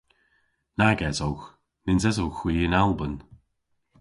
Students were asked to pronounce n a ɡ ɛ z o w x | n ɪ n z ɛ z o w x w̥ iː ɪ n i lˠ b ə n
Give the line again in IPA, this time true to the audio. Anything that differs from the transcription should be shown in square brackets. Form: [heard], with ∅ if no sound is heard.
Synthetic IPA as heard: n a ɡ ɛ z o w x | n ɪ n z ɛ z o w x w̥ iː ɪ n [a] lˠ b ə n